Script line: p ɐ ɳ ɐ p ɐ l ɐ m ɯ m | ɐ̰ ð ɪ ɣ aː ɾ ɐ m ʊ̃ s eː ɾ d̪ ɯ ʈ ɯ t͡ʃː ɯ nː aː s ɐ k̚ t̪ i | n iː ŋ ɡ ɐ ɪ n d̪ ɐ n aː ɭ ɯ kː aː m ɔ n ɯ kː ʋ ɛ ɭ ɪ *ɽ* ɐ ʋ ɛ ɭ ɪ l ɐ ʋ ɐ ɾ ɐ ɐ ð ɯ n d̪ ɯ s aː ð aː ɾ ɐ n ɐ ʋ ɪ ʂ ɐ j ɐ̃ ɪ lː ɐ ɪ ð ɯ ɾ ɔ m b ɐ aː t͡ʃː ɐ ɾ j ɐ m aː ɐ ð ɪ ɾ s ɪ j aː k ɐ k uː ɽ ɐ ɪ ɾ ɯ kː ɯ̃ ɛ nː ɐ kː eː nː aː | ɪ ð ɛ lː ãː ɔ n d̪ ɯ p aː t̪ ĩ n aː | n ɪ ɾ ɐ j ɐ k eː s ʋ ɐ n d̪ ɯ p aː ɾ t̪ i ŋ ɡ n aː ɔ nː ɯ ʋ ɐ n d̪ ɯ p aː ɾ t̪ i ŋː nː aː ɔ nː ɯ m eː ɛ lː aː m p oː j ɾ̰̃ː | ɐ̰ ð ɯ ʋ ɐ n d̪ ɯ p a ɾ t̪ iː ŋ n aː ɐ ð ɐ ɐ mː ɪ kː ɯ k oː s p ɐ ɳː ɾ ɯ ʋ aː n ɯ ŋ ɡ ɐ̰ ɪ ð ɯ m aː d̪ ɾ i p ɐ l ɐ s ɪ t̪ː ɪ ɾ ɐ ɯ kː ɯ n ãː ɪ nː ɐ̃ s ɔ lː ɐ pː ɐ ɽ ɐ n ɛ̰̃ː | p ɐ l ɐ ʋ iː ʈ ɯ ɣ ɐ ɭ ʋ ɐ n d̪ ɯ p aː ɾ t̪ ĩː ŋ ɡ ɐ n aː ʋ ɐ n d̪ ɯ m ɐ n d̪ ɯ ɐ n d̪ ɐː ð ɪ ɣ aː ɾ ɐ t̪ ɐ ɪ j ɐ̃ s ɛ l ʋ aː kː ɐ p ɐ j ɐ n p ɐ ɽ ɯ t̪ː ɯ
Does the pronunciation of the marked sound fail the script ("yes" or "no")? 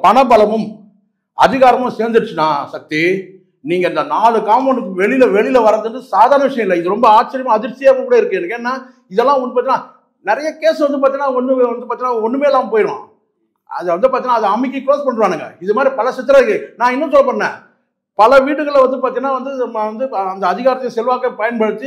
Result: yes